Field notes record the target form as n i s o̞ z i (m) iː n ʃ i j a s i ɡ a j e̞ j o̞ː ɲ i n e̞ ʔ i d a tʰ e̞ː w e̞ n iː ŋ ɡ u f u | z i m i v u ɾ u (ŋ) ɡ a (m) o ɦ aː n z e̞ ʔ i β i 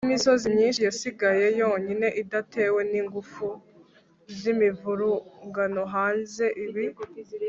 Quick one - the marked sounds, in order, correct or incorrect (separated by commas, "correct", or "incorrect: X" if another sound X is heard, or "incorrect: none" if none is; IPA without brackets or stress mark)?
incorrect: ɲ, correct, incorrect: n